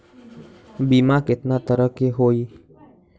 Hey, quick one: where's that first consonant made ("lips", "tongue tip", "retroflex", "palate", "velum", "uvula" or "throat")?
lips